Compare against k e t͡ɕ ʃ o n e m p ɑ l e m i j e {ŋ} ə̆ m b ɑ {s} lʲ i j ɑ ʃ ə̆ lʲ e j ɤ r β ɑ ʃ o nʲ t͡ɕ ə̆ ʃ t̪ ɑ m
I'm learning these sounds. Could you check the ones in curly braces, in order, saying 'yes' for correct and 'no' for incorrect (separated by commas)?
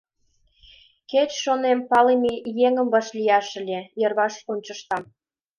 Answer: yes, no